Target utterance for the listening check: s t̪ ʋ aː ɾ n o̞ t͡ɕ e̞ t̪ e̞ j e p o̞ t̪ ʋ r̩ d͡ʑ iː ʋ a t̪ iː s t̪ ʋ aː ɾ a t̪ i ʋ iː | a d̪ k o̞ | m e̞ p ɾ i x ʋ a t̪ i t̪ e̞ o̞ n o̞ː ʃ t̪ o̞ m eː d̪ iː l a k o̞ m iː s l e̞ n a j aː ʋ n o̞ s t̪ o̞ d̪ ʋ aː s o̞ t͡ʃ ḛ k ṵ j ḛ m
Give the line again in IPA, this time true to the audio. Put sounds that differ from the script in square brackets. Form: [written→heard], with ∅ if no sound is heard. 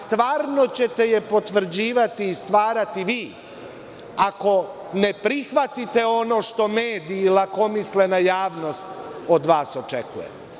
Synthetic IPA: s t̪ ʋ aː ɾ n o̞ t͡ɕ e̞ t̪ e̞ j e p o̞ t̪ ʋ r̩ d͡ʑ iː ʋ a t̪ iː s t̪ ʋ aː ɾ a t̪ i ʋ iː | a [d̪→∅] k o̞ | [m→n] e̞ p ɾ i x ʋ a t̪ i t̪ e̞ o̞ n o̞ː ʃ t̪ o̞ m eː d̪ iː l a k o̞ m [iː→i] s l e̞ n a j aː ʋ n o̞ s t̪ o̞ d̪ ʋ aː s o̞ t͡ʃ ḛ k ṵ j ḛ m

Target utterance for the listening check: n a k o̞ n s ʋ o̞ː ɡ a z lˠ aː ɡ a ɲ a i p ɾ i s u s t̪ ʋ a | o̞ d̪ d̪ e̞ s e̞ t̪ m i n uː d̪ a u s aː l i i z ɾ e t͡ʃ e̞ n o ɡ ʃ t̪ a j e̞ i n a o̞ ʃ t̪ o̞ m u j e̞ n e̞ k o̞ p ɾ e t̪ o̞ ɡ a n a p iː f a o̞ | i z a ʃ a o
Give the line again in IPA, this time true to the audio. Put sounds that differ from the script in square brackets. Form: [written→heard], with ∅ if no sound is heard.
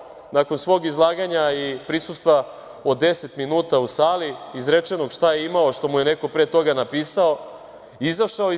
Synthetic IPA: n a k o̞ n s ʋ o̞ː ɡ [a→i] z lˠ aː ɡ a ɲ a i p ɾ i s u s t̪ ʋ a | o̞ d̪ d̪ e̞ s e̞ t̪ m i n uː [d̪→t̪] a u s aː l i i z ɾ e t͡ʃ e̞ n o ɡ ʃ t̪ a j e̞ i [n→m] a o̞ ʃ t̪ o̞ m u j e̞ n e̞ k o̞ p ɾ e t̪ o̞ ɡ a n a p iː [f→s] a o̞ | i z a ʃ a o

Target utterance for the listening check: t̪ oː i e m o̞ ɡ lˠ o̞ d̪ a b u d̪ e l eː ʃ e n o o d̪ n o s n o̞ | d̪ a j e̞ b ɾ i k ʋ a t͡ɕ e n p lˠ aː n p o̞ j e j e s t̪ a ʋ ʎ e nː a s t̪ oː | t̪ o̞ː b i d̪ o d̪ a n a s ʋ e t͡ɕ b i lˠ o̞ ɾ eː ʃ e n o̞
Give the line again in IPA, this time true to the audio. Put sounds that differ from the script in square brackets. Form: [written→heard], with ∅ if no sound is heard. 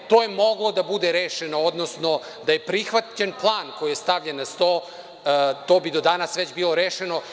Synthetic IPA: t̪ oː [i→j] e m o̞ ɡ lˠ o̞ d̪ a b u d̪ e [l→ɾ] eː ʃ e n o o d̪ n o s n o̞ | d̪ a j e̞ [b→p] ɾ i [k→x] ʋ a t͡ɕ e n p lˠ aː n [p→k] o̞ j [e→i] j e s t̪ a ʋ ʎ e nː a s t̪ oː | t̪ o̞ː b i d̪ o d̪ a n a s ʋ e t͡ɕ b i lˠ o̞ ɾ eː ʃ e n o̞

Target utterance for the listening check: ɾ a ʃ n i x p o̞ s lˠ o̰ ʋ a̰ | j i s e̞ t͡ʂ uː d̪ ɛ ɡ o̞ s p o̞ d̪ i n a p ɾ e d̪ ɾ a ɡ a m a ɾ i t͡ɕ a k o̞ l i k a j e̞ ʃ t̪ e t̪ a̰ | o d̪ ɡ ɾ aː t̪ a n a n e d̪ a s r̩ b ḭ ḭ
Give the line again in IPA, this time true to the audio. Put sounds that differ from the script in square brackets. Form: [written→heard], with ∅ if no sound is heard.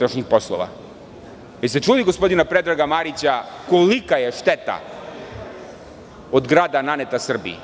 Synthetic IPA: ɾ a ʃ [n→ɲ] i x p o̞ s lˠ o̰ ʋ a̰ | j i s e̞ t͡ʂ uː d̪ [ɛ→i] ɡ o̞ s p o̞ d̪ i n a p ɾ e d̪ ɾ a ɡ a m a ɾ i t͡ɕ a k o̞ l i k a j e̞ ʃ t̪ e t̪ a̰ | o d̪ ɡ ɾ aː [t̪→d̪] a n a n e [d̪→t̪] a s r̩ b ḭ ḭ

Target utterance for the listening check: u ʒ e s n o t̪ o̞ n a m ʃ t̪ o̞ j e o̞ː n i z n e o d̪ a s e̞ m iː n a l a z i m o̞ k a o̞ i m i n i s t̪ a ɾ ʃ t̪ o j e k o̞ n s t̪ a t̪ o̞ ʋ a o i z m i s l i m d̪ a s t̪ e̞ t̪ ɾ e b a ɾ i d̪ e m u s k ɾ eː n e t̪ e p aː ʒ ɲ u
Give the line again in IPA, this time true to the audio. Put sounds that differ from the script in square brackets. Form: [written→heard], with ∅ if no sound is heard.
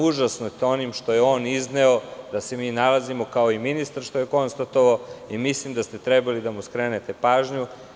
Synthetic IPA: u ʒ [e→a] s n o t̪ o̞ n [a→i] m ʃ t̪ o̞ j e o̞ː n i z n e o d̪ a s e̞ m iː n a l a z i m o̞ k a o̞ i m i n i s t̪ a ɾ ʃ t̪ o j e k o̞ n s t̪ a t̪ o̞ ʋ a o i [z→∅] m i s l i m d̪ a s t̪ e̞ t̪ ɾ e b a [ɾ→l] i d̪ [e→a] m u s k ɾ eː n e t̪ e p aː ʒ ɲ u

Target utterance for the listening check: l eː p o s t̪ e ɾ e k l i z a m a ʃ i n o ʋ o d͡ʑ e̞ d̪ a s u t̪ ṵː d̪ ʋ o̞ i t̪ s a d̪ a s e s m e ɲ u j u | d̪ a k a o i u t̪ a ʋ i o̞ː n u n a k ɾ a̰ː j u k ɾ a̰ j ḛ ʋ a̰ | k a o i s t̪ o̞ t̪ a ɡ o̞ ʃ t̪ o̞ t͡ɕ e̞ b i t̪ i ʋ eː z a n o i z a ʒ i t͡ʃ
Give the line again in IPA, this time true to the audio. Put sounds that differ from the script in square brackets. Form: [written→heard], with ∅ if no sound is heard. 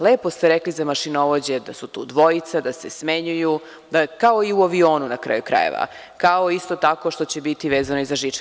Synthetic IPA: l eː p o s t̪ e ɾ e k l i z a m a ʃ i n o ʋ o d͡ʑ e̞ d̪ a s u t̪ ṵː d̪ ʋ o̞ i t̪ s a d̪ a s e s m e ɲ u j u | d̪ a k a o i u [t̪→∅] a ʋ i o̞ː n u n a k ɾ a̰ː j u k ɾ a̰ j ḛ ʋ a̰ | k a o i s t̪ o̞ t̪ a [ɡ→k] o̞ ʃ t̪ o̞ t͡ɕ e̞ b i t̪ i ʋ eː z a n o i z a ʒ i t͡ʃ

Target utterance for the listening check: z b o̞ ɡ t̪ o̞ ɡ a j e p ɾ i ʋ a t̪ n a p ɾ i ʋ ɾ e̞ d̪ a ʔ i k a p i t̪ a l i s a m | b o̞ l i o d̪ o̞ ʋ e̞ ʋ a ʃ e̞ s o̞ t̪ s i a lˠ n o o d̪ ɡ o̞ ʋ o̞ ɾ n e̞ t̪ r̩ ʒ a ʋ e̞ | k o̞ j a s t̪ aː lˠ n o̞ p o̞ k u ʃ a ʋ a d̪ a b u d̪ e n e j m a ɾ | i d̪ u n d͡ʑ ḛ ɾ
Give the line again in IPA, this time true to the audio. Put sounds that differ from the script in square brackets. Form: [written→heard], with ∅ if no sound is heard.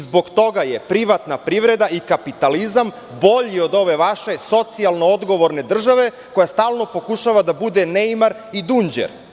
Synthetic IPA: z b o̞ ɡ t̪ o̞ ɡ a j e p ɾ i ʋ a t̪ n a p ɾ i ʋ ɾ e̞ d̪ a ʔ i k a p i t̪ a l i [s→z] a m | b o̞ [l→ʎ] i o d̪ o̞ ʋ e̞ ʋ a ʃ e̞ s o̞ t̪ s i a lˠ n o o d̪ ɡ o̞ ʋ o̞ ɾ n e̞ [t̪→d̪] r̩ ʒ a ʋ e̞ | k o̞ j a s t̪ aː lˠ n o̞ p o̞ k u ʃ a ʋ a d̪ a b u d̪ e n e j m a ɾ | i d̪ u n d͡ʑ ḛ ɾ

